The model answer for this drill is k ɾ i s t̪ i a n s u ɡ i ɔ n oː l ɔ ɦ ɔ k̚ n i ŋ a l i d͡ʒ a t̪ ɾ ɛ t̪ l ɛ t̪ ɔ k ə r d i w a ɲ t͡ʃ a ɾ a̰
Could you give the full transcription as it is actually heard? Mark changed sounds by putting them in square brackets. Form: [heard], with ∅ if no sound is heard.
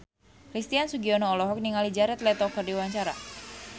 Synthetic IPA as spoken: k ɾ i s t̪ i a n s u ɡ i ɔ n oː l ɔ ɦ ɔ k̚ n i ŋ a l i d͡ʒ a [∅] ɾ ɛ t̪ l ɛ t̪ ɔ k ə r d i w a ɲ t͡ʃ a ɾ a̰